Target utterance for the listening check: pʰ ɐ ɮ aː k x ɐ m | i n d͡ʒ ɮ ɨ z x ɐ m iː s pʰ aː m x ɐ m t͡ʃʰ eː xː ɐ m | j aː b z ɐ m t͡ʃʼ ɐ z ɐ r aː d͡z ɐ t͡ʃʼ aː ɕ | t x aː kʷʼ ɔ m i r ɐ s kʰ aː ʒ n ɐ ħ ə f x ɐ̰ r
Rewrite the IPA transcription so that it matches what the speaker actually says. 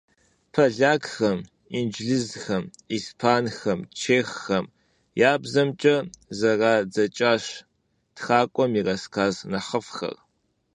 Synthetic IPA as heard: pʰ ɐ ɮ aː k x ɐ m | i n d͡ʒ ɮ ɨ z x ɐ m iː s pʰ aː n x ɐ m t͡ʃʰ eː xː ɐ m | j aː b z ɐ m t͡ʃʼ ɐ z ɐ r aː d͡z ɐ t͡ʃʼ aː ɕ | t x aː kʷʼ ɔ m i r ɐ s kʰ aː z n ɐ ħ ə f x ɐ̰ r